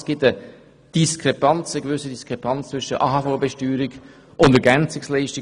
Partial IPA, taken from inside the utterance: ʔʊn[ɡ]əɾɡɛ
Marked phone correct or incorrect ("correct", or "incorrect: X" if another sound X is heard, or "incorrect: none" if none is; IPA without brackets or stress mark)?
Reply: incorrect: d